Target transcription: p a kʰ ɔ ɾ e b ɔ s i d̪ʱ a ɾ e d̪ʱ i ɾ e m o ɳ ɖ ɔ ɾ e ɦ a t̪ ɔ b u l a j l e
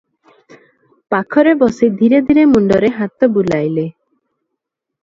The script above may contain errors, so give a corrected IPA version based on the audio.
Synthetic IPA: p a kʰ ɔ ɾ e b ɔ s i d̪ʱ i ɾ e d̪ʱ i ɾ e m u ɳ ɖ ɔ ɾ e ɦ a t̪ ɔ b u l a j l e